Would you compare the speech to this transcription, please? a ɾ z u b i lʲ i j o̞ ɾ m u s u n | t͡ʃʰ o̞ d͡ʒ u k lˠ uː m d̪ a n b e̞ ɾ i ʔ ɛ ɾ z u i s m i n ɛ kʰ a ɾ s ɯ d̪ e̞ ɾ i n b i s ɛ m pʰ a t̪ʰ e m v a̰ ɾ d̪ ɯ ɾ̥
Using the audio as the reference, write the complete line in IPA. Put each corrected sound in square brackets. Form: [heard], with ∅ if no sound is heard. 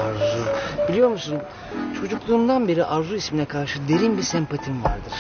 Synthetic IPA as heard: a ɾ z u b i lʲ i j o̞ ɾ m u s u n | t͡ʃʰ o̞ d͡ʒ u k lˠ uː m d̪ a n b e̞ ɾ i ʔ [a] ɾ z u i s m i n ɛ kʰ a ɾ [ʃ] ɯ d̪ e̞ ɾ i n b i s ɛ m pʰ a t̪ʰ [i] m v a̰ ɾ d̪ ɯ ɾ̥

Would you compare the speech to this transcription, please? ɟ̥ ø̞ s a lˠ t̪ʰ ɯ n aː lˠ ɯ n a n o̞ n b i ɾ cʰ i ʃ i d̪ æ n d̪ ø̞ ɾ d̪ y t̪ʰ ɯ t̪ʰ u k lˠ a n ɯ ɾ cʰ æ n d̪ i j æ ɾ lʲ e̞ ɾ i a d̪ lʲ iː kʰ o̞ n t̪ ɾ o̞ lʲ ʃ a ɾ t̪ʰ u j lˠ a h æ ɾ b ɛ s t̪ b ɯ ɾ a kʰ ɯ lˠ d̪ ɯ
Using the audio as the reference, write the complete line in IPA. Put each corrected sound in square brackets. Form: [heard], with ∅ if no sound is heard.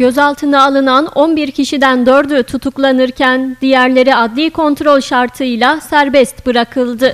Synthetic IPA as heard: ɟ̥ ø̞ [z] a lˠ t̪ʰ ɯ n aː lˠ ɯ n a n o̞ n b i ɾ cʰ i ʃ i d̪ æ n d̪ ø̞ ɾ d̪ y t̪ʰ [u] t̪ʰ u k lˠ a n ɯ ɾ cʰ æ n d̪ i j æ ɾ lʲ e̞ ɾ i a d̪ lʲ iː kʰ o̞ n t̪ ɾ o̞ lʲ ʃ a ɾ t̪ʰ [ɯ] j lˠ a [s] æ ɾ b ɛ s t̪ b ɯ ɾ a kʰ ɯ lˠ d̪ ɯ

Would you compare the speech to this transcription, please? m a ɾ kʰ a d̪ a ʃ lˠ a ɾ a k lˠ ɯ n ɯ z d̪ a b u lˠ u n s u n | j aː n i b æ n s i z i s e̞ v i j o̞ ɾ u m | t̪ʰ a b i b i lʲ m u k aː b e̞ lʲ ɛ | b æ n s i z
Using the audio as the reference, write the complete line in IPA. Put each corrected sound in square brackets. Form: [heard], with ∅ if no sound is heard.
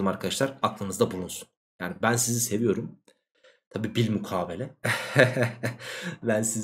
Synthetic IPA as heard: m a ɾ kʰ a d̪ a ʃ lˠ a ɾ a k lˠ ɯ n ɯ z d̪ a b u lˠ u n s u n | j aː n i b æ n s i z i s e̞ v i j o̞ ɾ u m | t̪ʰ a b [iː] b i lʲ m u [kʰ] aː b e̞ lʲ ɛ | b æ n s i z

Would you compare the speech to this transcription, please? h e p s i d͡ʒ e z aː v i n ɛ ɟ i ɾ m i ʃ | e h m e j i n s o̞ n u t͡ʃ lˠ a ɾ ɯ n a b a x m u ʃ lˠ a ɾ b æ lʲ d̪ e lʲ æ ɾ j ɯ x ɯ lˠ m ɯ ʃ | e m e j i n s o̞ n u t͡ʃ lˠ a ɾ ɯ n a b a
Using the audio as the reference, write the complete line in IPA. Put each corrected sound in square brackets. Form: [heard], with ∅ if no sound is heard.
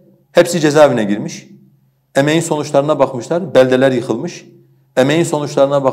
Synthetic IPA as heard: h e p s i d͡ʒ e z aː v i n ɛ ɟ i ɾ m i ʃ | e [∅] m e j i n s o̞ n u t͡ʃ lˠ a ɾ ɯ n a b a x m [ɯ] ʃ lˠ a ɾ b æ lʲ d̪ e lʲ æ ɾ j ɯ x ɯ lˠ m ɯ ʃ | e m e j i n s o̞ n u t͡ʃ lˠ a ɾ ɯ n a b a

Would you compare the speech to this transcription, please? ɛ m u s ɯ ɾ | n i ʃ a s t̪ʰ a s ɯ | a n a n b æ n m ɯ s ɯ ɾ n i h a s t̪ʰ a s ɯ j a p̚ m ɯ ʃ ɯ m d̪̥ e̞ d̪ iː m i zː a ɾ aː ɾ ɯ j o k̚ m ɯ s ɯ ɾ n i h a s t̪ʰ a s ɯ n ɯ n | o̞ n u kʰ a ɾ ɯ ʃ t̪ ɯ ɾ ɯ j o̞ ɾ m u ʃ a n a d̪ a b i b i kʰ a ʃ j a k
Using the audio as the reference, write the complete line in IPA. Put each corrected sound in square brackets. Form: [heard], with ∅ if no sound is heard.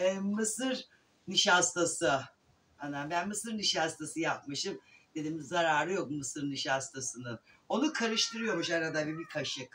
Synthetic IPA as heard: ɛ m [ɯ] s ɯ ɾ | n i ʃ a s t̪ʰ a s ɯ | a n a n b æ n m ɯ s ɯ ɾ n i [ʃ] a s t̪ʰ a s ɯ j a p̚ m ɯ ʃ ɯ m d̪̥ e̞ d̪ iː m i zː a ɾ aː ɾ ɯ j o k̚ m ɯ s ɯ ɾ n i [ʃ] a s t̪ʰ a s ɯ n ɯ n | o̞ n u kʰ a ɾ ɯ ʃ t̪ ɯ ɾ ɯ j o̞ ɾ m u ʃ a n a d̪ a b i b i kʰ a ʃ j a k

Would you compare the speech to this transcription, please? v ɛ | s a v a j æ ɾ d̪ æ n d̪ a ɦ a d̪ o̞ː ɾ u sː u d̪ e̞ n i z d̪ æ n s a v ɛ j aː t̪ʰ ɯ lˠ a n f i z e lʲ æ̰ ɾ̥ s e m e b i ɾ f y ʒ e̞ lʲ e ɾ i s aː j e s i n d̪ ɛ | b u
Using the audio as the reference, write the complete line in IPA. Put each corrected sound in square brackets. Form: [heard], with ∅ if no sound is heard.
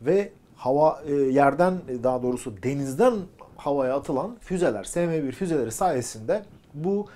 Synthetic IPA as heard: v ɛ | [h] a v a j æ ɾ d̪ æ n d̪ a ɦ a d̪ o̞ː ɾ u [s] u d̪ e̞ n i z d̪ æ n [h] a v [a] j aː t̪ʰ ɯ lˠ a n f [y] z e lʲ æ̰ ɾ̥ s e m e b i ɾ f y [z] e̞ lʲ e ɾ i s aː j e s i n d̪ ɛ | b u

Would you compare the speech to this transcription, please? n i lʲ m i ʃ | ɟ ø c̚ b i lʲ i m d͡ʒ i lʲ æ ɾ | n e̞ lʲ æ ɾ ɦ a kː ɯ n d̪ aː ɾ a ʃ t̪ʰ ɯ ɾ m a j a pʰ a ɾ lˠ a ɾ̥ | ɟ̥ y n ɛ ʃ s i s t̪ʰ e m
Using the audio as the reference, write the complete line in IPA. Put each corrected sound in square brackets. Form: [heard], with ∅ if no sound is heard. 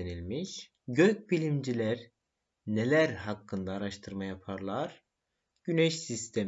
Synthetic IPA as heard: n i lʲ m i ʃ | ɟ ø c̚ b i lʲ i m d͡ʒ i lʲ æ ɾ | n e̞ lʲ æ ɾ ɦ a kː ɯ n d̪ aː ɾ a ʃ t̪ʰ ɯ ɾ m a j a pʰ a ɾ lˠ a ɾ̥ | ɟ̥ y n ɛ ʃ s i s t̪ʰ e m

